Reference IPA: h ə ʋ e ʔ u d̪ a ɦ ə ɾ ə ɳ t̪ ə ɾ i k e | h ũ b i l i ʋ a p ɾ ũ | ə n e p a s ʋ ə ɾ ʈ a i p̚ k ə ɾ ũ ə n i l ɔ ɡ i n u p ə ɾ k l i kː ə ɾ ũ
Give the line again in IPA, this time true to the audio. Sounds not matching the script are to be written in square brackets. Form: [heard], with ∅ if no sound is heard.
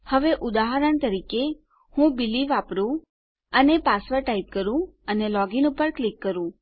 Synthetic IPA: h ə ʋ e ʔ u d̪ a ɦ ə ɾ ə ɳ t̪ ə ɾ i k e | h ũ b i l i ʋ a p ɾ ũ | ə n e p a s ʋ ə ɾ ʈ a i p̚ k ə ɾ ũ ə n [e] l ɔ ɡ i n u p ə ɾ k l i kː ə ɾ ũ